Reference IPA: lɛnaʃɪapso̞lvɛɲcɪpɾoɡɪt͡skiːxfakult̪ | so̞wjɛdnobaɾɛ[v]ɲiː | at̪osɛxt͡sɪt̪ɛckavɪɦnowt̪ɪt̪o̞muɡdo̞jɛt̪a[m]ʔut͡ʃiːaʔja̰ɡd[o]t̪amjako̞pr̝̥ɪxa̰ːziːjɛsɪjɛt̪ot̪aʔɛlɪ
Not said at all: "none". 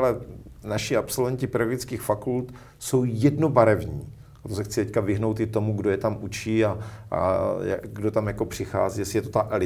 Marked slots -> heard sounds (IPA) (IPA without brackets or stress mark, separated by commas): v, m, o